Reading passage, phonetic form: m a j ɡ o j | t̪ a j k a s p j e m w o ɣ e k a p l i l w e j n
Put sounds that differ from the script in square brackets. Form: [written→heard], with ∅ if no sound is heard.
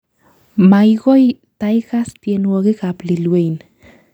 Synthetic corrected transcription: m a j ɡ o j | t̪ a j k a s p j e [m→n] w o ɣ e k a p l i l w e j n